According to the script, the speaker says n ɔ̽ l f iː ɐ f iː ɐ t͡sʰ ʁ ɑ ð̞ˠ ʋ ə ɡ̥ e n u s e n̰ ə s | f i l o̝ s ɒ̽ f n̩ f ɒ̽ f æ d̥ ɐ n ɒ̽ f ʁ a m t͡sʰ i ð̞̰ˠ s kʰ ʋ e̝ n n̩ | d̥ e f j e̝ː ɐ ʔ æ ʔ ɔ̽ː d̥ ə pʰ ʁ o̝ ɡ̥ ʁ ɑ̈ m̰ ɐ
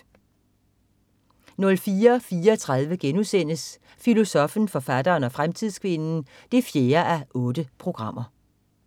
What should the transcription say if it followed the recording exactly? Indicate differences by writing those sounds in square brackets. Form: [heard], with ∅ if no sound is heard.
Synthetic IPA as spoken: n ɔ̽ l f iː ɐ f iː ɐ t͡sʰ ʁ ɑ ð̞ˠ ʋ ə ɡ̥ e n u s e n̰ ə s | f i l o̝ s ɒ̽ f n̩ f ɒ̽ f æ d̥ [ɐː] n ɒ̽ f ʁ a m t͡sʰ i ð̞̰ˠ s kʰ ʋ e̝ n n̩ | d̥ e f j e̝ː ɐ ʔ æ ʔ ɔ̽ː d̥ ə pʰ ʁ o̝ ɡ̥ ʁ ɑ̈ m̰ ɐ